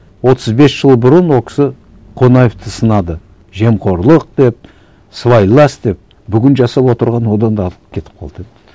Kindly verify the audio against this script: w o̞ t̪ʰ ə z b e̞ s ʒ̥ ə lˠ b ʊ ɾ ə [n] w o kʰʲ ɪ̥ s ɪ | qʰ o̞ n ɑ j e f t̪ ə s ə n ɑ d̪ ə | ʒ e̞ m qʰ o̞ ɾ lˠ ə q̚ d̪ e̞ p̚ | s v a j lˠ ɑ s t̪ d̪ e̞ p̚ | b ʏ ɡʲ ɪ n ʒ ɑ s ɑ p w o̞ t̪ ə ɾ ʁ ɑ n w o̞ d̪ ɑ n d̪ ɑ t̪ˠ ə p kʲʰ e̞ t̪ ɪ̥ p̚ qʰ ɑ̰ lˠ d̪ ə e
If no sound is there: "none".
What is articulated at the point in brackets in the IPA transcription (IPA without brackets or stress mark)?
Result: n